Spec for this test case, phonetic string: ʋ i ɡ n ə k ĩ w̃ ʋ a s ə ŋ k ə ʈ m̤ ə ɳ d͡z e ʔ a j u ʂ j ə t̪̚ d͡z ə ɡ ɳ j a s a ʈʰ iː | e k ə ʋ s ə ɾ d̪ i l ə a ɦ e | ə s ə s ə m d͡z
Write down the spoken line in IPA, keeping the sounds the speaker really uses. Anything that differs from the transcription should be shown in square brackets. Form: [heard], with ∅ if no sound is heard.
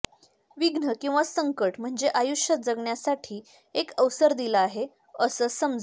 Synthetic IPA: ʋ i ɡ n ə k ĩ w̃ ʋ a s ə ŋ k ə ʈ m̤ ə ɳ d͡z e ʔ a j u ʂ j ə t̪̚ d͡z ə ɡ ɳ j a s a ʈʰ iː | e k ə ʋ s ə ɾ d̪ i l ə a ɦ e | ə s ə s ə m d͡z